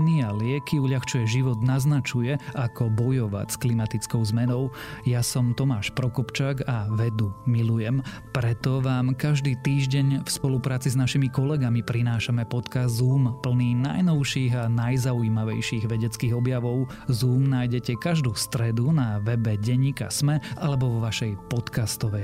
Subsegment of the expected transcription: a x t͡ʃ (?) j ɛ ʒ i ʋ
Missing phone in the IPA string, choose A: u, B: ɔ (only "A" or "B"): A